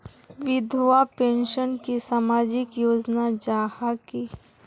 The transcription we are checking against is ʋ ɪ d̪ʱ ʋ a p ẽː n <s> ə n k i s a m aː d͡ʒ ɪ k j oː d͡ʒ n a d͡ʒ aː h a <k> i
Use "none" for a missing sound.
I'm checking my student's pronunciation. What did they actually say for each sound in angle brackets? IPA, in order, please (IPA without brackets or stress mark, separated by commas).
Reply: ʃ, k